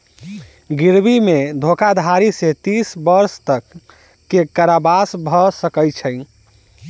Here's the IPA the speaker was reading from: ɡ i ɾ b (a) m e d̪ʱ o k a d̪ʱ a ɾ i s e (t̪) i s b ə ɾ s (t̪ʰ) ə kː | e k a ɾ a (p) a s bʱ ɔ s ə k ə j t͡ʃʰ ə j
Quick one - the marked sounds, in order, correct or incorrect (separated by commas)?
incorrect, correct, incorrect, incorrect